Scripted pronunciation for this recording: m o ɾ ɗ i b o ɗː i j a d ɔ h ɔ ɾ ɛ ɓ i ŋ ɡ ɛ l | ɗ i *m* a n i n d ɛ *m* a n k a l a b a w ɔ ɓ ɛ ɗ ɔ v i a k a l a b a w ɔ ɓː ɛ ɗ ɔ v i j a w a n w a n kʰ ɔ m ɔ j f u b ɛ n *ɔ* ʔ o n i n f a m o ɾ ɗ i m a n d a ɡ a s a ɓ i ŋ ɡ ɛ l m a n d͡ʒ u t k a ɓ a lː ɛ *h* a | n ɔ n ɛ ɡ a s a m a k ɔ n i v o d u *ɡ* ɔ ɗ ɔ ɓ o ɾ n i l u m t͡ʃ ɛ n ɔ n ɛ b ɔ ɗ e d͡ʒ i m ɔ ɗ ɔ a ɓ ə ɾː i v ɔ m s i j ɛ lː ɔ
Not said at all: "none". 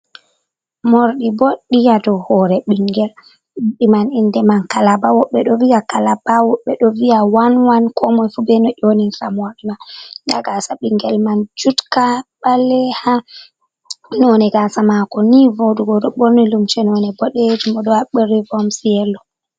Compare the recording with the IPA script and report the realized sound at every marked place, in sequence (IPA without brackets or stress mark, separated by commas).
m, m, ɔ, h, ɡ